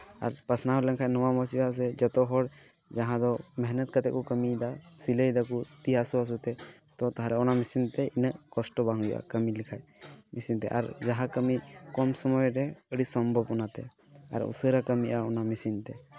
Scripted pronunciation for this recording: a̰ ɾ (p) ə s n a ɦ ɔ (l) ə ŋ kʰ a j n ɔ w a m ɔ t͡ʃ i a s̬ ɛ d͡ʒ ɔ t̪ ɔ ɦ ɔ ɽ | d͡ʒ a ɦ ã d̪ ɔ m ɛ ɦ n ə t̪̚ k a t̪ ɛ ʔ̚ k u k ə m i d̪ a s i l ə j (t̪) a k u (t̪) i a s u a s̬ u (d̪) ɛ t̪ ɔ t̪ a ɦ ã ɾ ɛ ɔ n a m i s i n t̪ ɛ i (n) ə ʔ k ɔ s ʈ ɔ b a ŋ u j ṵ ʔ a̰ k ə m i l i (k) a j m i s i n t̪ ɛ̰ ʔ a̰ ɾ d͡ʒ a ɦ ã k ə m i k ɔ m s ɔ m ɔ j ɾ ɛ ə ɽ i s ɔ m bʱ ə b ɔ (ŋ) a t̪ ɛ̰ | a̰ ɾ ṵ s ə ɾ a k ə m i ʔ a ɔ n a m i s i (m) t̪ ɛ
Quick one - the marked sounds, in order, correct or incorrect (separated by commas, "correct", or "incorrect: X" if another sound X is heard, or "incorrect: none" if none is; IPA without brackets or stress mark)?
correct, correct, incorrect: d̪, correct, incorrect: t̪, correct, incorrect: kʰ, incorrect: n, incorrect: n